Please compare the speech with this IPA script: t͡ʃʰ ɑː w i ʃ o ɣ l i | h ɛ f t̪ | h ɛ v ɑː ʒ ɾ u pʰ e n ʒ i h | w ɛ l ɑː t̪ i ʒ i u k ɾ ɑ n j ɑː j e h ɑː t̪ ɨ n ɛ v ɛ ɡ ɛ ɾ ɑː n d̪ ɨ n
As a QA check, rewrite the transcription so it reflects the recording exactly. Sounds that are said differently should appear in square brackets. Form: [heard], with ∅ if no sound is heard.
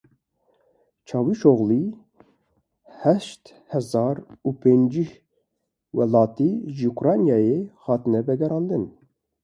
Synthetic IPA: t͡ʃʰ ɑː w i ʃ o ɣ l i | h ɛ [ʃ] t̪ | h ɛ [z] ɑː [∅] ɾ u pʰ e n [d͡ʒ] i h | w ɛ l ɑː t̪ i ʒ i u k ɾ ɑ n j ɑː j e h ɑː t̪ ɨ n ɛ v ɛ ɡ ɛ ɾ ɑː n d̪ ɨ n